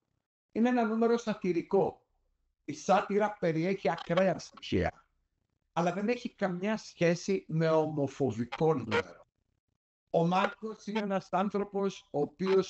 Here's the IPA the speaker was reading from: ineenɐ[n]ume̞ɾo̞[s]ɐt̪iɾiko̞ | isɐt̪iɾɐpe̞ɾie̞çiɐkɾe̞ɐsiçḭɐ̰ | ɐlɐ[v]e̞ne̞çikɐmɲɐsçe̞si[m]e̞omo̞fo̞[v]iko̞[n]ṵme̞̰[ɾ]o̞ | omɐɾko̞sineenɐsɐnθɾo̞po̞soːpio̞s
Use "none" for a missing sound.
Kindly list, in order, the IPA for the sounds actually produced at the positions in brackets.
n, s, ð, m, v, n, ɾ

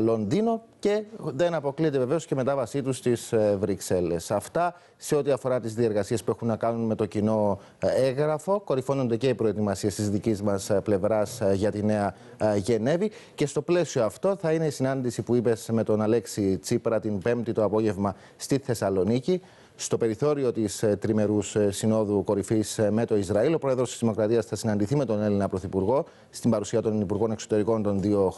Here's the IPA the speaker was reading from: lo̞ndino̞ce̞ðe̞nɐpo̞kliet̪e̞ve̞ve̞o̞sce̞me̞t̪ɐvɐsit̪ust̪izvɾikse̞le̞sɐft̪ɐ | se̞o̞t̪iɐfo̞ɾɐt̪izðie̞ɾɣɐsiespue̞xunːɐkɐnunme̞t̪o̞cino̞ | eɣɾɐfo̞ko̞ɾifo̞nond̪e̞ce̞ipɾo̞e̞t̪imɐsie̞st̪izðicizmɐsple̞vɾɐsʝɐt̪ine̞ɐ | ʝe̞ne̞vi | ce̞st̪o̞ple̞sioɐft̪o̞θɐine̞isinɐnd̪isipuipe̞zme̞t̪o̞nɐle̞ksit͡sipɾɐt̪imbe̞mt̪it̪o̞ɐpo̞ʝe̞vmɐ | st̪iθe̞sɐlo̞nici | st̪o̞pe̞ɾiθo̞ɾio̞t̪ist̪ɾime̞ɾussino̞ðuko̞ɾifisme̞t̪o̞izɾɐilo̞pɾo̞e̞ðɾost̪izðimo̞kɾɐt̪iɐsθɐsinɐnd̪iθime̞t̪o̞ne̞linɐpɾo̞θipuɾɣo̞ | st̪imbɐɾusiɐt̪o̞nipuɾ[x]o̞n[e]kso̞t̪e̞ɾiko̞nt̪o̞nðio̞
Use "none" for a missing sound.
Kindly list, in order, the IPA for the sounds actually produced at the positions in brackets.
ɣ, e

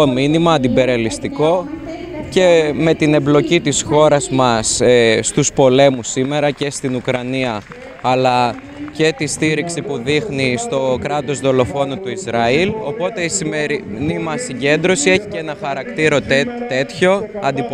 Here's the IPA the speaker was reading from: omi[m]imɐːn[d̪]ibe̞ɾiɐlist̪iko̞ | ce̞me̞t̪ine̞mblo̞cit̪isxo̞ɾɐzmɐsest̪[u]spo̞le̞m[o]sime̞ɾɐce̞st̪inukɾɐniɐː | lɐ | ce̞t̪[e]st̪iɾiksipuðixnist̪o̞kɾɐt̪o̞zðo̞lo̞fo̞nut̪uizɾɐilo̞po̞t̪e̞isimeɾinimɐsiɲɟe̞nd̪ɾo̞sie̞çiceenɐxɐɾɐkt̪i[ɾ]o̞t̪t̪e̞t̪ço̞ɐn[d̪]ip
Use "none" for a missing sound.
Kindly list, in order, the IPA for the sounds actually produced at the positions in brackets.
n, d̪, u, u, i, ɾ, d̪

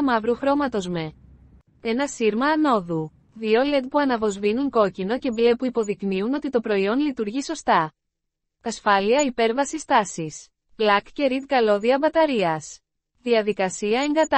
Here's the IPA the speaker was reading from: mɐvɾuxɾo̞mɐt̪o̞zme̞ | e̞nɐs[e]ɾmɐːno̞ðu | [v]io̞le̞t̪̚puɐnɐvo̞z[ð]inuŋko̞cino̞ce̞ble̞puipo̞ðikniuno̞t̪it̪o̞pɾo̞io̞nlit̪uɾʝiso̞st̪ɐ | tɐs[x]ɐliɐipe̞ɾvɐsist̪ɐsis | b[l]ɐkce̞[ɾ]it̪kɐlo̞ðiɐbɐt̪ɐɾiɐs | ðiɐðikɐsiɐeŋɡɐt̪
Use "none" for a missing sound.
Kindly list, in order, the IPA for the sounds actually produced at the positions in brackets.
i, ð, v, f, l, ɾ

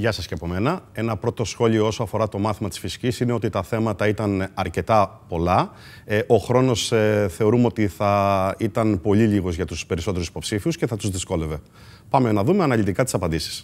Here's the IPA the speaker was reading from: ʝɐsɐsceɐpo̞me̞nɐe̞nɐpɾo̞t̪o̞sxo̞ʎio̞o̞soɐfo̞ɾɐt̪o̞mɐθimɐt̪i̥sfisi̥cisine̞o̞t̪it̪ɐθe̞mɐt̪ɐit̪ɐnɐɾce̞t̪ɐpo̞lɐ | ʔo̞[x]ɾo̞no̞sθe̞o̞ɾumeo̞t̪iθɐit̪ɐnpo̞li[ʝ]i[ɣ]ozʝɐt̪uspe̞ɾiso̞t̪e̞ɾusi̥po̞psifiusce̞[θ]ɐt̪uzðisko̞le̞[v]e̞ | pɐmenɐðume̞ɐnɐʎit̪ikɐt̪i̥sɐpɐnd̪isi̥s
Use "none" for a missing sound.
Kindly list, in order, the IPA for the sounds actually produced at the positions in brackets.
x, ʎ, ɣ, θ, v

